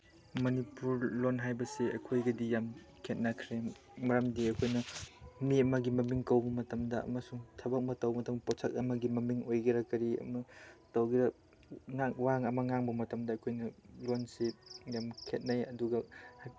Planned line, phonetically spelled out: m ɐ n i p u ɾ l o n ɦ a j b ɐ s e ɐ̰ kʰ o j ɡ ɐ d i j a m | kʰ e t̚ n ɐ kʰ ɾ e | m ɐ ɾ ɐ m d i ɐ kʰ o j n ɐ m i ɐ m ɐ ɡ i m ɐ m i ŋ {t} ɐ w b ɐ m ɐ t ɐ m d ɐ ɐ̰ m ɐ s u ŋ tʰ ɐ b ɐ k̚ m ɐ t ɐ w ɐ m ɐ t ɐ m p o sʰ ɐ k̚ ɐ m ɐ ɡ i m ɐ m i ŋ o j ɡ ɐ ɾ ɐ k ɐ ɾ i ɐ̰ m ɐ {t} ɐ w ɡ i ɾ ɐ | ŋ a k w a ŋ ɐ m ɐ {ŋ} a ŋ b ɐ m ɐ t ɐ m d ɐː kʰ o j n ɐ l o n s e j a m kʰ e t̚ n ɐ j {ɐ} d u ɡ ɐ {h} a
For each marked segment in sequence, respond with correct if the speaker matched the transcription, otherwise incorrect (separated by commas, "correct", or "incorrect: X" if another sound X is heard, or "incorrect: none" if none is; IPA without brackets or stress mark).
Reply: incorrect: k, correct, correct, correct, correct